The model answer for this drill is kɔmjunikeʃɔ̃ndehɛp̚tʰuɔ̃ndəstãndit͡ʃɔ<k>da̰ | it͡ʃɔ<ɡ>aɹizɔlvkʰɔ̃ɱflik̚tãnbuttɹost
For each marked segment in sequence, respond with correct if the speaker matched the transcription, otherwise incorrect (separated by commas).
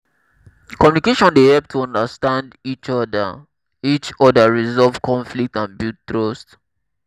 incorrect, incorrect